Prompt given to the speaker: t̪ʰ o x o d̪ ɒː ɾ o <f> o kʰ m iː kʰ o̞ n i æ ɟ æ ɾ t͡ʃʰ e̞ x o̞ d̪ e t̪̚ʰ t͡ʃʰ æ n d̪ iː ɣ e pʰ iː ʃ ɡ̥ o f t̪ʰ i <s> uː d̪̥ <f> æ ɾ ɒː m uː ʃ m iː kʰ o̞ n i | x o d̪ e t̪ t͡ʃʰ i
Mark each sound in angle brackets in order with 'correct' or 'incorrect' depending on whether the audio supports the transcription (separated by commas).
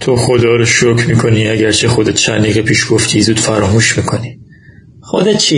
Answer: incorrect, incorrect, correct